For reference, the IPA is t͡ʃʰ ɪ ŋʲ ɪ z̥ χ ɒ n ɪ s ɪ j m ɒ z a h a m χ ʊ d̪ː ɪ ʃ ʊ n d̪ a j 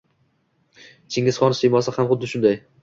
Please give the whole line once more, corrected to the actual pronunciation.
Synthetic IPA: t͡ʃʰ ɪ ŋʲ ɪ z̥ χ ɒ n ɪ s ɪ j m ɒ s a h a m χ ʊ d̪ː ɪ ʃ ʊ n d̪ a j